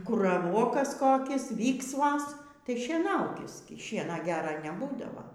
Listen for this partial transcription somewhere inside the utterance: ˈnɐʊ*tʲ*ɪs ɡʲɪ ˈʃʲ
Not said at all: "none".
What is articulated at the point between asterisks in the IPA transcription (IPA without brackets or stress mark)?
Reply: kʲ